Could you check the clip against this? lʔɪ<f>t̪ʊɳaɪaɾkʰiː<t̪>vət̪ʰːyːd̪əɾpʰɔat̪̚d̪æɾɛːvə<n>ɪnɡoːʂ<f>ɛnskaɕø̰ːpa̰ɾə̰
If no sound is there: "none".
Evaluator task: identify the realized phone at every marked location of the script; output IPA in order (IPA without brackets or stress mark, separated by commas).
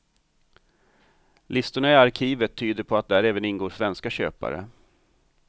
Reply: s, none, n, v